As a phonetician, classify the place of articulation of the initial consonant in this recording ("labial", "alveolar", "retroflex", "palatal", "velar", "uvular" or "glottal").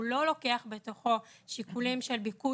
alveolar